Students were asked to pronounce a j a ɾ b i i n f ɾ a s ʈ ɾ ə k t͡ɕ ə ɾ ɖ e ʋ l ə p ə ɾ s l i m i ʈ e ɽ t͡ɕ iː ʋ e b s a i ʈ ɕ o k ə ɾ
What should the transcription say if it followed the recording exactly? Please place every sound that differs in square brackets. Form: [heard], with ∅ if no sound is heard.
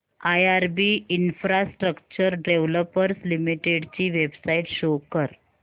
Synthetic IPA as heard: a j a ɾ b i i n f ɾ a s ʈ ɾ ə k t͡ɕ ə ɾ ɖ e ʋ l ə p ə ɾ s l i m i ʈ e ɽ t͡ɕ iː ʋ e b s a i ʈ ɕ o k ə ɾ